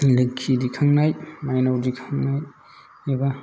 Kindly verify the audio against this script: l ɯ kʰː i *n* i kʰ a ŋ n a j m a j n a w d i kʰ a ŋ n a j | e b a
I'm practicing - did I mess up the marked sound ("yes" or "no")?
yes